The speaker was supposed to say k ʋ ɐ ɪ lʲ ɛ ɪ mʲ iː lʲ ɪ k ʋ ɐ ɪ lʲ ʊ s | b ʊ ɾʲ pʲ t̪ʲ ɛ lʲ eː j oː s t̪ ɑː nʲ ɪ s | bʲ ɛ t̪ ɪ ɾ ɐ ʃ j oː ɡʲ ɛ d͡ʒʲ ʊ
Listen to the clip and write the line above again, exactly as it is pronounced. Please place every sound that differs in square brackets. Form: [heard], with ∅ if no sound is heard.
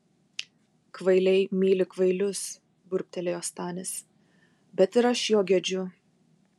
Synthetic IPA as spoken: k ʋ ɐ ɪ lʲ ɛ ɪ mʲ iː lʲ ɪ k ʋ ɐ ɪ lʲ ʊ s | b ʊ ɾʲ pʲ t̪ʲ ɛ lʲ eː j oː s t̪ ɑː nʲ ɪ s | bʲ ɛ t̪ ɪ ɾ ɐ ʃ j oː ɡʲ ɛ d͡ʒʲ ʊ